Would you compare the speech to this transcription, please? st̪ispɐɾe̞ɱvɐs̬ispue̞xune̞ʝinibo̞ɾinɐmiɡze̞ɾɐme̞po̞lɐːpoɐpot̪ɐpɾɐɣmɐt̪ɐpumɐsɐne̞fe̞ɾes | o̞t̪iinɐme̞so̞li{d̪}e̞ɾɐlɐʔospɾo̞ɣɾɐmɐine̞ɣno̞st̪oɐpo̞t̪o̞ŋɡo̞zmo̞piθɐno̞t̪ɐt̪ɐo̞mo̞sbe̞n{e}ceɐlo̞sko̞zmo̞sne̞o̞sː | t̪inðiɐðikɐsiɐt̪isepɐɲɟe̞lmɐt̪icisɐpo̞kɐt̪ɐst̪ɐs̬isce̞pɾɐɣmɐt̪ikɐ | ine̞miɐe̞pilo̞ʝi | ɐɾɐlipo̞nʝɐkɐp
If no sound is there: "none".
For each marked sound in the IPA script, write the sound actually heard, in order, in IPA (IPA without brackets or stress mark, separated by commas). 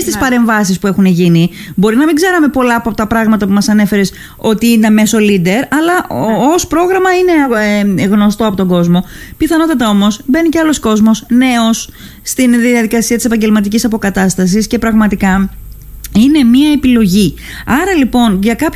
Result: d̪, i